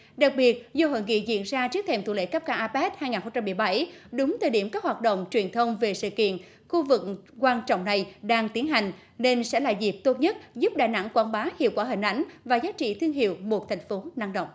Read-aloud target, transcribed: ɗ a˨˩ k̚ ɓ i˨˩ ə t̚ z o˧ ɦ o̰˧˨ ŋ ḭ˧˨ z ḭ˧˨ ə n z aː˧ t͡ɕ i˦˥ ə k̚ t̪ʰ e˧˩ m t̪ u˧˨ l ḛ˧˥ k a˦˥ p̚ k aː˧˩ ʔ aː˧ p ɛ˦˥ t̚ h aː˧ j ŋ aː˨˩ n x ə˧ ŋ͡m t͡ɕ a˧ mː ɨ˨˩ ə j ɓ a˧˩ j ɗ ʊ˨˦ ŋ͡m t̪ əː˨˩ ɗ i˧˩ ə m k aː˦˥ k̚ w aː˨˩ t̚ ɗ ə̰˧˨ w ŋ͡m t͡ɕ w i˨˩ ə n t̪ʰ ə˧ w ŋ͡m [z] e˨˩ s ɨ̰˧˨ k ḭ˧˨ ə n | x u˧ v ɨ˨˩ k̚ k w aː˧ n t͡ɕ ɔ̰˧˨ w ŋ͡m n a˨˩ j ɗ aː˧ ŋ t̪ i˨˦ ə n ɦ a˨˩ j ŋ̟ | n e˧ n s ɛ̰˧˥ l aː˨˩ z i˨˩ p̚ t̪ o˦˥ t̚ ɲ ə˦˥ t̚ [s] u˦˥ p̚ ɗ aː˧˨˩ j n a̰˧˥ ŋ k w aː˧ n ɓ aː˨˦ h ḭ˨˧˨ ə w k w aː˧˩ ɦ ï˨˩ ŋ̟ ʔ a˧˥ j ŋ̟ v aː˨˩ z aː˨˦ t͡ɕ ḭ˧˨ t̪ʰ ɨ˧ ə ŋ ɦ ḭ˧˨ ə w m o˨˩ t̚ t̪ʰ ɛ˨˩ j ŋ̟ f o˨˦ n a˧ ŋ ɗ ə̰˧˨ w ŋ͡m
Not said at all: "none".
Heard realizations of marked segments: v, z

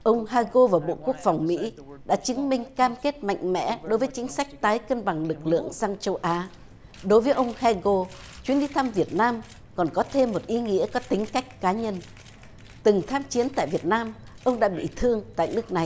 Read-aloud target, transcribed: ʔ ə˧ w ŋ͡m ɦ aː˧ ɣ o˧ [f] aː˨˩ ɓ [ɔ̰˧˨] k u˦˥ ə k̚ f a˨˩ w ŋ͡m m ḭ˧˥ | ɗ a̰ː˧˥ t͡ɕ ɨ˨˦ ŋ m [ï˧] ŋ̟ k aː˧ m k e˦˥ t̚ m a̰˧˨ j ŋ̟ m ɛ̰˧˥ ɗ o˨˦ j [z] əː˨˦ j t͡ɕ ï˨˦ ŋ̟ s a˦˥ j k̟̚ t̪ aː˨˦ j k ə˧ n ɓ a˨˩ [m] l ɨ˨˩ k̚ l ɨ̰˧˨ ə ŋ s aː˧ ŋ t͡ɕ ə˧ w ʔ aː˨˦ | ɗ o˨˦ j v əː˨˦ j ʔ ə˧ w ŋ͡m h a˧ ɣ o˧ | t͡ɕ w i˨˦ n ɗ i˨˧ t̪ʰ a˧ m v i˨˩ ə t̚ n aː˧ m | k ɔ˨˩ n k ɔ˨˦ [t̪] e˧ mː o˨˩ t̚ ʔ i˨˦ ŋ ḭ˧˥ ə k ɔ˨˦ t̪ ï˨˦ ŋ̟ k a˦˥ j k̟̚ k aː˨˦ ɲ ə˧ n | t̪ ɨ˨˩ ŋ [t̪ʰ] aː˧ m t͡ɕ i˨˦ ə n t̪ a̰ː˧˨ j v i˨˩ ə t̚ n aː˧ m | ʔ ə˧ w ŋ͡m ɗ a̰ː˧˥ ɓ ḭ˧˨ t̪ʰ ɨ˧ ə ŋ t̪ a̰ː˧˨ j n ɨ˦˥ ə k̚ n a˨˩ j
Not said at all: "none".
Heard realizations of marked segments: v, o̰˧˨, ï˧, v, ŋ, t̪ʰ, t̪ʰ

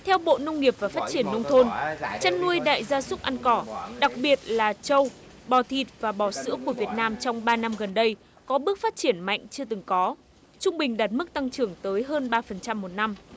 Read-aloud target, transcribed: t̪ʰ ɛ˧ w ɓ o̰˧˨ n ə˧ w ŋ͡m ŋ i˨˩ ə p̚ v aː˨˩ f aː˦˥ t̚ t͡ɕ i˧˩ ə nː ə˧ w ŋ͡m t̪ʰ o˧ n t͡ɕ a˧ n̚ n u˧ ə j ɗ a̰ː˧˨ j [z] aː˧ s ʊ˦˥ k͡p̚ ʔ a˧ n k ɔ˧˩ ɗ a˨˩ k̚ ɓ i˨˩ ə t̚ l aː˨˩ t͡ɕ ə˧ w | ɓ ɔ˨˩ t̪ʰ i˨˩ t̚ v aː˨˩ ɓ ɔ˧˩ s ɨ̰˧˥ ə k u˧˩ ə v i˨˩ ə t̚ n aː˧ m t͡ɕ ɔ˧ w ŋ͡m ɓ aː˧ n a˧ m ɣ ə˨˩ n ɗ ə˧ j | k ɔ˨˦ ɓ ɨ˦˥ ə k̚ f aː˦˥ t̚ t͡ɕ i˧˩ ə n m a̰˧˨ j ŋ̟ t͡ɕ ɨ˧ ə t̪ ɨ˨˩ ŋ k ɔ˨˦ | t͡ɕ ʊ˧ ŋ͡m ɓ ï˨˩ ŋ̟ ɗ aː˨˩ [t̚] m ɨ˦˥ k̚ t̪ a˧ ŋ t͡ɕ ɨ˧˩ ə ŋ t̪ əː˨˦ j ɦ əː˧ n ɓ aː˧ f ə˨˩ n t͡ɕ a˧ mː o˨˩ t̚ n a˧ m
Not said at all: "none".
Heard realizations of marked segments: z, t̚

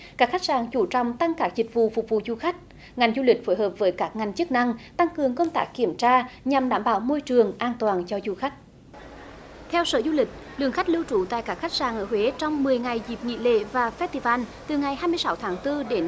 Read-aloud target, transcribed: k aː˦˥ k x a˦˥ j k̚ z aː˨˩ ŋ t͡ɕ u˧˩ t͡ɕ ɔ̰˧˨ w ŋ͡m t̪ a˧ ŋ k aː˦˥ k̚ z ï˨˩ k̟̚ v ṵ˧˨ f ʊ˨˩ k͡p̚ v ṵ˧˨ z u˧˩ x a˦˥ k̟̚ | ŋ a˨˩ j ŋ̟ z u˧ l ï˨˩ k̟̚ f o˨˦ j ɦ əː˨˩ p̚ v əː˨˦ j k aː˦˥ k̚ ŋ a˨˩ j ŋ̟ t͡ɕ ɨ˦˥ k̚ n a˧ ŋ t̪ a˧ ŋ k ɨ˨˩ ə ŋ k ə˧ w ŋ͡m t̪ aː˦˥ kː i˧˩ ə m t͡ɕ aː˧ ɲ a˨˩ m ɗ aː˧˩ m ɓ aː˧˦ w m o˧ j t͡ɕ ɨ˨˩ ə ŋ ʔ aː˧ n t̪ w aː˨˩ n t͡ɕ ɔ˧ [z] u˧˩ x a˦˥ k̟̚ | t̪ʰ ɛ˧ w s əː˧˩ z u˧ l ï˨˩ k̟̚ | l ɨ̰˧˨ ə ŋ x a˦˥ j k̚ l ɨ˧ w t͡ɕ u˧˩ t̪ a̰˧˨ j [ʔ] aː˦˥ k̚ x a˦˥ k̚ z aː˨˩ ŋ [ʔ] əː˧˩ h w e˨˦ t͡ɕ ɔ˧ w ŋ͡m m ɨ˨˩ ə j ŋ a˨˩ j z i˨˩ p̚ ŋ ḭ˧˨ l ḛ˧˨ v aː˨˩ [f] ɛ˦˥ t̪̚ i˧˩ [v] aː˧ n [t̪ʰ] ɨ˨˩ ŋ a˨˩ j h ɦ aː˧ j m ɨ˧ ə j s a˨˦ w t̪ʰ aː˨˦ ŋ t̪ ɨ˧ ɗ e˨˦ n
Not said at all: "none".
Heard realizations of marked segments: z, k, ʔ, f, v, t̪

